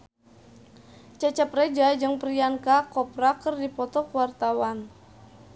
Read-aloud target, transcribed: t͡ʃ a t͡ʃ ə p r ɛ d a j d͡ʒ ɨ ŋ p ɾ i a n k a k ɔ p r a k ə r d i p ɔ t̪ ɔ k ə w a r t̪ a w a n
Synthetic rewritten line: t͡ʃ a t͡ʃ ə p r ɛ d͡ʒ a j d͡ʒ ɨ ŋ p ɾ i a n k a k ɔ p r a k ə r d i p ɔ t̪ ɔ k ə w a r t̪ a w a n